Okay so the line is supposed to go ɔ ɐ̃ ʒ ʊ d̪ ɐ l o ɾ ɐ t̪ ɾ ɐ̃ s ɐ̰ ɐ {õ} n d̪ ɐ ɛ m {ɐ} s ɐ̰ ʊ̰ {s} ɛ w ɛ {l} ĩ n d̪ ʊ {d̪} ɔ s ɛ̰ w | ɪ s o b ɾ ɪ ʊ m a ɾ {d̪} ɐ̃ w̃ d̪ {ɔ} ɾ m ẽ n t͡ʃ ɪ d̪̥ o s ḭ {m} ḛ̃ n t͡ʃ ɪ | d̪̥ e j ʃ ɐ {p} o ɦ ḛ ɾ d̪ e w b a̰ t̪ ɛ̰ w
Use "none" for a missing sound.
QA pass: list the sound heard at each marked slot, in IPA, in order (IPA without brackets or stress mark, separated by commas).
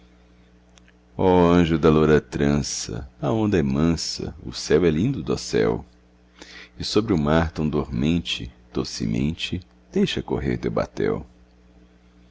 õ, ɐ̃, s, l, d̪, t̪, o, m, k